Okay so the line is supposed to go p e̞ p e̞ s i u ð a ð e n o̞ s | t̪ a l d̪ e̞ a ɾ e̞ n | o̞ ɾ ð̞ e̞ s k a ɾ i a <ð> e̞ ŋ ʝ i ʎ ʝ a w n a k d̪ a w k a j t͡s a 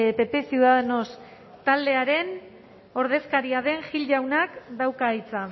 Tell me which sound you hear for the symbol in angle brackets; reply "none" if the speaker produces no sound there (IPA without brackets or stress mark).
ð